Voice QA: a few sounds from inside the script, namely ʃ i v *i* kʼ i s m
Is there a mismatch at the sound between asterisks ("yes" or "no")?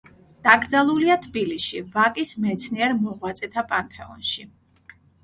yes